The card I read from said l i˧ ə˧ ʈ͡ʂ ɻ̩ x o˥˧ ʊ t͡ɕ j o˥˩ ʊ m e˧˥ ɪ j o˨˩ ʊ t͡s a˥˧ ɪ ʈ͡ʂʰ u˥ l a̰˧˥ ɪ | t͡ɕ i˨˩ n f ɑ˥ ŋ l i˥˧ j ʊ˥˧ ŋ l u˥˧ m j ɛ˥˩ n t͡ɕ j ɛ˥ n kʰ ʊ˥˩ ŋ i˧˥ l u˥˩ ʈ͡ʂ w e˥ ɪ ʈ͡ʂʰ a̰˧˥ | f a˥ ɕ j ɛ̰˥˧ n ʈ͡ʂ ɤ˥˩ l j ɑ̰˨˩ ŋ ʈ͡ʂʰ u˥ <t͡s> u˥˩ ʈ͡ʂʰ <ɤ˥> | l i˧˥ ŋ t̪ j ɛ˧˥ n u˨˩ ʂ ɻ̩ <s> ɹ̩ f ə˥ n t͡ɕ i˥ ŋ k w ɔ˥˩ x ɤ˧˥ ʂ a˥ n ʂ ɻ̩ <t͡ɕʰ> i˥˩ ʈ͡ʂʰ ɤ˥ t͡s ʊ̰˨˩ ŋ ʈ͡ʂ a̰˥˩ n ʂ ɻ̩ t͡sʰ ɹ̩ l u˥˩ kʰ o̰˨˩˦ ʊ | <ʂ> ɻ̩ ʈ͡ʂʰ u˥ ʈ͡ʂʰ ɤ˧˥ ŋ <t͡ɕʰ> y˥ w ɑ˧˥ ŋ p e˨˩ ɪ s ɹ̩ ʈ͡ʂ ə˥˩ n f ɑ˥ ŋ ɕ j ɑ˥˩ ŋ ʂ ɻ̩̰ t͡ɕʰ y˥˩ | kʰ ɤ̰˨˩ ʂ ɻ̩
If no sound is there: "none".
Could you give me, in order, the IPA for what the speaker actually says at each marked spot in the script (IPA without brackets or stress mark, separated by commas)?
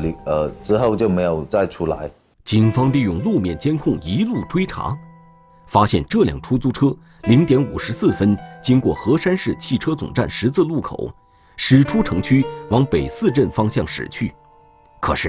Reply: t͡s, ɤ˥, s, t͡ɕʰ, ʂ, t͡ɕʰ